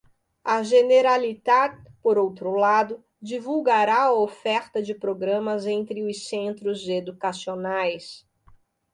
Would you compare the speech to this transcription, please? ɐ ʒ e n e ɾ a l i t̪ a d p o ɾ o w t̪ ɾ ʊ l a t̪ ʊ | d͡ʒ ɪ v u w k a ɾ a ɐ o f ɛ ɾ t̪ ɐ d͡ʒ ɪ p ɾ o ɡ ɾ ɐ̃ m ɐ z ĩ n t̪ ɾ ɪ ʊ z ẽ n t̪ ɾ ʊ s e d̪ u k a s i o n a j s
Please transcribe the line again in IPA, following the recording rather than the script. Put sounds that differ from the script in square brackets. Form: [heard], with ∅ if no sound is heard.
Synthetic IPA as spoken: ɐ ʒ e n e ɾ a l i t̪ a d p o ɾ o w t̪ ɾ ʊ l a [d̪] ʊ | d͡ʒ [i] v u w [ɡ] a ɾ a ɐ o f ɛ ɾ t̪ ɐ d͡ʒ ɪ p ɾ o ɡ ɾ ɐ̃ m ɐ z [ẽ] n t̪ ɾ ɪ ʊ [s] ẽ n t̪ ɾ ʊ [z] e d̪ u k a s i o n a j s